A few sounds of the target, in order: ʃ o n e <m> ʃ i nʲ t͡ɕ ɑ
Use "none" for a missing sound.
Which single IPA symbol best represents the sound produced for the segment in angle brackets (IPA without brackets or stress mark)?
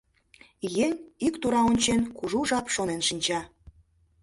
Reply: n